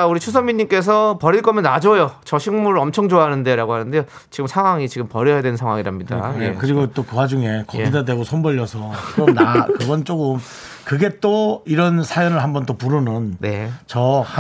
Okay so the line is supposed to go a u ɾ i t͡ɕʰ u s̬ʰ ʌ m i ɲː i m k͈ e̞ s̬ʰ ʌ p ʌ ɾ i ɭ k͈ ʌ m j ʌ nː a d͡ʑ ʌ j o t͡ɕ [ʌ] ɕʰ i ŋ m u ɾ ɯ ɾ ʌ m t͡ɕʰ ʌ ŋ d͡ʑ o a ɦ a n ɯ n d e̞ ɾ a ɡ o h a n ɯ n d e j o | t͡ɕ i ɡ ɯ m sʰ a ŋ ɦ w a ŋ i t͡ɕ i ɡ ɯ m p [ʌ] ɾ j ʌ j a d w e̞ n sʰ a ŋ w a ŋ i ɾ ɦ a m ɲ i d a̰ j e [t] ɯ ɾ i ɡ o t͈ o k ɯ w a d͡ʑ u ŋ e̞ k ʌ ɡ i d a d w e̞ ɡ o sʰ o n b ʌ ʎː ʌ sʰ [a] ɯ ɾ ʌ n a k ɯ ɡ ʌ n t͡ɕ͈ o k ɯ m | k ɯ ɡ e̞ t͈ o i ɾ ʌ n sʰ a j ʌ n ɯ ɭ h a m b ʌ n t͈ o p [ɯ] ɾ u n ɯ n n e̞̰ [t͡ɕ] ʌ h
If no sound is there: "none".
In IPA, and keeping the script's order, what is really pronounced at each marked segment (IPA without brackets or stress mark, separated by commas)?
ʌ, ʌ, k, ʌ, u, t͡ɕ